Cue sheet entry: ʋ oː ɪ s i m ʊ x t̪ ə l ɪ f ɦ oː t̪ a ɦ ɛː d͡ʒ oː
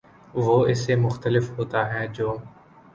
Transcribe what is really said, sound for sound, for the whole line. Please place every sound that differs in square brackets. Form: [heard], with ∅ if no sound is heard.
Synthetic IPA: ʋ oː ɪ s [e] m ʊ x t̪ ə l ɪ f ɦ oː t̪ a ɦ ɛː d͡ʒ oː